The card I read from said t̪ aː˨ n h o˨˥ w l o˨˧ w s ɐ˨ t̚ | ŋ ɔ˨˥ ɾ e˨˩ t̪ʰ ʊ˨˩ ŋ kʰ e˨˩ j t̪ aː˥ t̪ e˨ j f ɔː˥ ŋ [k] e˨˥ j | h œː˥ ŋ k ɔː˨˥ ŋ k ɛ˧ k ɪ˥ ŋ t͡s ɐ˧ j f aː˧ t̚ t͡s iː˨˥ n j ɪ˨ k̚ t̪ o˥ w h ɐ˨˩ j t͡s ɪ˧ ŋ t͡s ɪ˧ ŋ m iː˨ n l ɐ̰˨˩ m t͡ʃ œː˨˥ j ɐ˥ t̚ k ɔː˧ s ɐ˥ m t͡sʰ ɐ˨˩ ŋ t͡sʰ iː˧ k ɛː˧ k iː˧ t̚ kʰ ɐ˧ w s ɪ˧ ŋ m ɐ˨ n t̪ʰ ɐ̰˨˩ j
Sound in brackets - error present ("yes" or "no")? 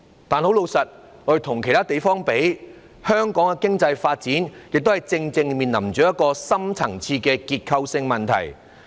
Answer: yes